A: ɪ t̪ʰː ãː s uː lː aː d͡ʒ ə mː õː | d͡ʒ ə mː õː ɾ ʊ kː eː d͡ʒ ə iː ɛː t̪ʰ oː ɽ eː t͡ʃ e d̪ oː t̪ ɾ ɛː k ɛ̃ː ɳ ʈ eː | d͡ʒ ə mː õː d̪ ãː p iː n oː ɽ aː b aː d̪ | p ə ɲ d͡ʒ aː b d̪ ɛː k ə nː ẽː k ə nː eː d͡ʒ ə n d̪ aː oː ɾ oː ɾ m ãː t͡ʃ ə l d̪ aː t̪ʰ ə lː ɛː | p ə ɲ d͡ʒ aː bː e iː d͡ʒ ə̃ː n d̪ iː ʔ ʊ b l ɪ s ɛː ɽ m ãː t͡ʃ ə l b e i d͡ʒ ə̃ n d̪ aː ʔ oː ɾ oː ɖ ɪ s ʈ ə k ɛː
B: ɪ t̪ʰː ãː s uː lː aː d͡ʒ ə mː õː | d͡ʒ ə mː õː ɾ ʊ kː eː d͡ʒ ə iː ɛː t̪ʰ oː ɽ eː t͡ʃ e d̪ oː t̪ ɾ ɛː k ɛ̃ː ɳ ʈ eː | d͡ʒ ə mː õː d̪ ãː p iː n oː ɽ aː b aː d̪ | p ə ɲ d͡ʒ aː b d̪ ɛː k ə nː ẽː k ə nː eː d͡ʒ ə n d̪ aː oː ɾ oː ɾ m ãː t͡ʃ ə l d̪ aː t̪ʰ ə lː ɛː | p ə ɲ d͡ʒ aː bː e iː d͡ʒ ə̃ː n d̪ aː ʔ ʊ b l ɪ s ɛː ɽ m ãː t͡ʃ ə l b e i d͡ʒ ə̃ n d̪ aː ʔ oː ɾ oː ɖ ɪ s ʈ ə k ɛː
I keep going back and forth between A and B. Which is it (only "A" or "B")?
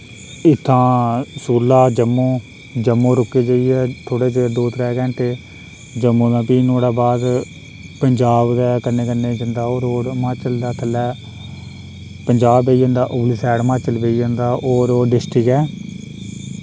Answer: B